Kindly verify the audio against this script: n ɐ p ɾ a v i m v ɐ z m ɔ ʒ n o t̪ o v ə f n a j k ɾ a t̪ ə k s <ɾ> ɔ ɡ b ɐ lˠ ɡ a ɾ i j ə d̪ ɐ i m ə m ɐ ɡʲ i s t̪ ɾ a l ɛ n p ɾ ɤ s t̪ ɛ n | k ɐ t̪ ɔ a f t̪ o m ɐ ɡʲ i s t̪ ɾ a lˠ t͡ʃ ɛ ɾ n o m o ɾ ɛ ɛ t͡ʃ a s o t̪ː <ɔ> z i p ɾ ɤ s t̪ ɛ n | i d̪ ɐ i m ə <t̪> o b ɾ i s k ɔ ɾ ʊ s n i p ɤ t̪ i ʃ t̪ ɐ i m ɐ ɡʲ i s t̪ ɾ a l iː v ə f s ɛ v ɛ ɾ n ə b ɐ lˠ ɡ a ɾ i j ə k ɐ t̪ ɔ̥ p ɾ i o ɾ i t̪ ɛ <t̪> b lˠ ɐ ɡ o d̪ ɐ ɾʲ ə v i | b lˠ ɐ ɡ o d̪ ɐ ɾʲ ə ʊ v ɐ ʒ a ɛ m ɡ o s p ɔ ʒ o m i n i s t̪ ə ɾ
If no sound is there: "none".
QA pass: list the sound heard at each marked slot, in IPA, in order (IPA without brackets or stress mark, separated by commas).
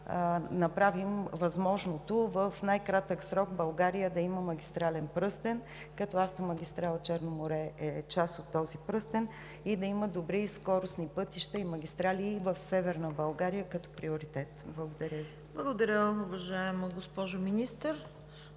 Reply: ɾ, ɔ, d̪, t̪